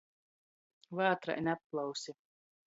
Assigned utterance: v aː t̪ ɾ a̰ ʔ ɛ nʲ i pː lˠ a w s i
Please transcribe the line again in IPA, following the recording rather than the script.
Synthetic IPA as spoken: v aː t̪ ɾ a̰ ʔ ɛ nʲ a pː lˠ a w s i